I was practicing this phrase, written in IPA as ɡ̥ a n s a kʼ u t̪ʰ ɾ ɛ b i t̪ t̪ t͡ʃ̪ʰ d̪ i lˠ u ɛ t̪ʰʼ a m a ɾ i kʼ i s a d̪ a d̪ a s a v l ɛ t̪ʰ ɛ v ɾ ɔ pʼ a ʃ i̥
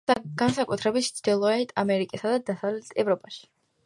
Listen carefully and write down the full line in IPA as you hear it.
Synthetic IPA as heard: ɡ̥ a n s a kʼ u t̪ʰ ɾ ɛ b i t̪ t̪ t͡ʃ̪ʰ d̪ i lˠ ɔ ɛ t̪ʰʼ a m ɛ ɾ i kʼ i s a d̪ a d̪ a s a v l ɛ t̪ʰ ɛ v ɾ ɔ pʼ a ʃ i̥